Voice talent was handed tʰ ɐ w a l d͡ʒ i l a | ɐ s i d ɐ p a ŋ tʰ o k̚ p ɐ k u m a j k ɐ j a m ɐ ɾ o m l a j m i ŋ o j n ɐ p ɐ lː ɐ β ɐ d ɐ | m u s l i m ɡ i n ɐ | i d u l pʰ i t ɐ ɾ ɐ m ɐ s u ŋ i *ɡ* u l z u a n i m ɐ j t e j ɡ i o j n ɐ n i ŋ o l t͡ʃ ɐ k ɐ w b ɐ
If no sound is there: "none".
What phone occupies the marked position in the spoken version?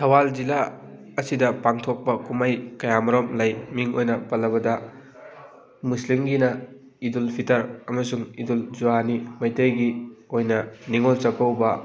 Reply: d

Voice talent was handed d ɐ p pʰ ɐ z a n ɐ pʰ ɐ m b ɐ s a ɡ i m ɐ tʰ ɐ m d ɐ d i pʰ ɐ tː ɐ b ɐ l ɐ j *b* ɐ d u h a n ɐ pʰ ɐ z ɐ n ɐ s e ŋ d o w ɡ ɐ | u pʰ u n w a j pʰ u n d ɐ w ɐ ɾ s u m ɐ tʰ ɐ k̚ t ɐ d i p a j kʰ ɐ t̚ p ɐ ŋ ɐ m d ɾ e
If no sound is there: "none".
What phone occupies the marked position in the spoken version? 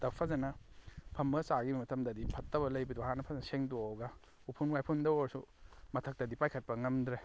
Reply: b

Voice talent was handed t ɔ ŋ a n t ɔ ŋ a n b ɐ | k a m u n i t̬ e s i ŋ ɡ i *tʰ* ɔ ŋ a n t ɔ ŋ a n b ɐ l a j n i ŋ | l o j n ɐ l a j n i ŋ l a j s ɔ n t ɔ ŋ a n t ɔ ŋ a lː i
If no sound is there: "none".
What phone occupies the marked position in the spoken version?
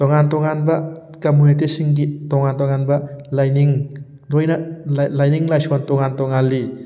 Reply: t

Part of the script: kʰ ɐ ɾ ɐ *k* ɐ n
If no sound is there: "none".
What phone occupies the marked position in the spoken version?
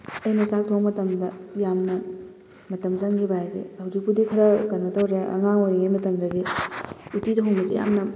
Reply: k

